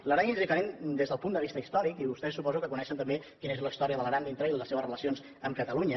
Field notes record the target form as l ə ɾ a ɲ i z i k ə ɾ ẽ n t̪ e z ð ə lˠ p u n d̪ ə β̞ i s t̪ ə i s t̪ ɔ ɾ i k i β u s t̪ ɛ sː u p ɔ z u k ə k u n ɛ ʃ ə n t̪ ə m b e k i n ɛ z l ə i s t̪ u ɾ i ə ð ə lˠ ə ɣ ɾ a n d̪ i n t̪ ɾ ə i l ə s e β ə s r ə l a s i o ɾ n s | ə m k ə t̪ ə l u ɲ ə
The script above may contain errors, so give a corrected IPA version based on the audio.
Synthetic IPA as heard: l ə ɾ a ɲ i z i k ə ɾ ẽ n d̪ e z ð ə lˠ p u n d̪ ə β̞ i s t̪ ə i s t̪ ɔ ɾ i k i β u s t̪ ɛ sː u p ɔ z u k ə k u n ɛ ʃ ə n t̪ ə m b e k i n e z l ə i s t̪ ɔ ɾ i ə ð ə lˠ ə ɣ ɾ a n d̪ i n t̪ ɾ ə i l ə s e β ə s r ə l ə s i o n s | ə m k ə t̪ ə l u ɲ ə